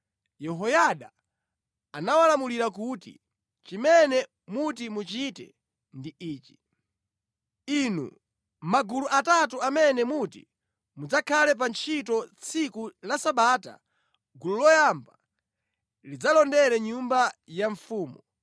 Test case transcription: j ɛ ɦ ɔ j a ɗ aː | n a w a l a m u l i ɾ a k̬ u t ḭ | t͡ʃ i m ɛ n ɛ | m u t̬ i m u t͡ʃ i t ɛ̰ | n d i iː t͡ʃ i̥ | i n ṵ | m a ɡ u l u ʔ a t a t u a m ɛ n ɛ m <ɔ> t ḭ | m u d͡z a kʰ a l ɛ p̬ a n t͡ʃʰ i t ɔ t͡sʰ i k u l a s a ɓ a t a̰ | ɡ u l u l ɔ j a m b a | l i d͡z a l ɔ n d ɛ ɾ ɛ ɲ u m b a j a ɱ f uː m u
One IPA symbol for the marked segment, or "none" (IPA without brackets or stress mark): u